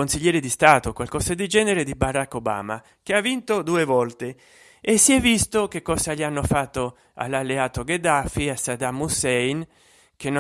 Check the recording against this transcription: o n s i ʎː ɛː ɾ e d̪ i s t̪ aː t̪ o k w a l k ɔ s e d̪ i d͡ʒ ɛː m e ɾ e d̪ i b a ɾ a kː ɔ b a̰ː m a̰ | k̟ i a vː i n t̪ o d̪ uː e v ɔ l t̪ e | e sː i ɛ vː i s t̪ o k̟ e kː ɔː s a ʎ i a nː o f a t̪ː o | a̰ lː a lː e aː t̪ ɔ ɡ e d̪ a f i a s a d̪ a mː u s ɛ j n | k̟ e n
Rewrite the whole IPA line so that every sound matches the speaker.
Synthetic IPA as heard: o n s i ʎː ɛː ɾ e d̪ i s t̪ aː t̪ o k w a l k ɔ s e d̪ i d͡ʒ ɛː n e ɾ e d̪ i b a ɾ a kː o b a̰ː m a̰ | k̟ e a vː i n t̪ o d̪ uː e v ɔ l t̪ e | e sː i ɛ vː i s t̪ o k̟ e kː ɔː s a ʎ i a nː o f a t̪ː o | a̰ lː a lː e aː t̪ o ɡ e d̪ a f i a s a d̪ a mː u s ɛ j n | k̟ e n